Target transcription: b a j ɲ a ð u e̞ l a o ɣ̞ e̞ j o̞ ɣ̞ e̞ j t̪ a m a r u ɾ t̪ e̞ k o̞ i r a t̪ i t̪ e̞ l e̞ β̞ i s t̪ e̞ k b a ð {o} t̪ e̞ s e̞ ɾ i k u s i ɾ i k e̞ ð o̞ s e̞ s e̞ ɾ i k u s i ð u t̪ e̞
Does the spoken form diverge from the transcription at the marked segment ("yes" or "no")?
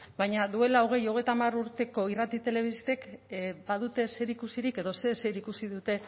yes